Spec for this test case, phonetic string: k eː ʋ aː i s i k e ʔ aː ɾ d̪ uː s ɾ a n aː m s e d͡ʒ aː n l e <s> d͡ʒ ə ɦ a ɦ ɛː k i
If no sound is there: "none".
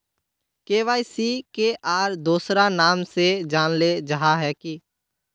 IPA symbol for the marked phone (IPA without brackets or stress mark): none